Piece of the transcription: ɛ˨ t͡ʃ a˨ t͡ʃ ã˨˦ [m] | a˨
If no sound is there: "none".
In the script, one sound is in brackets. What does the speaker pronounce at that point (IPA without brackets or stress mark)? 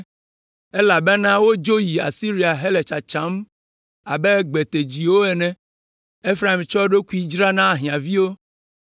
m